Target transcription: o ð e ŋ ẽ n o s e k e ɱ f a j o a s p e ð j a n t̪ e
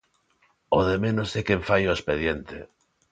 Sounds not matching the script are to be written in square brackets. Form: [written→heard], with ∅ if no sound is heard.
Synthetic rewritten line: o ð e [ŋ→m] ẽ n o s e k e ɱ f a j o [a→e] s p e ð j [a→e] n t̪ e